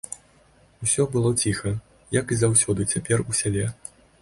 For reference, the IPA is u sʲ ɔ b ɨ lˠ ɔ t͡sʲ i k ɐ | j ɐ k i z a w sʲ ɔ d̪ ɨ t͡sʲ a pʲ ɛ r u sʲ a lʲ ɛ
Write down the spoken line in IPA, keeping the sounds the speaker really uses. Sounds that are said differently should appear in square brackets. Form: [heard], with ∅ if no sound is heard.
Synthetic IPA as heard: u sʲ ɔ b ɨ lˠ ɔ t͡sʲ i [x] ɐ | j ɐ k i z a w sʲ ɔ d̪ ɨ t͡sʲ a pʲ ɛ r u sʲ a lʲ ɛ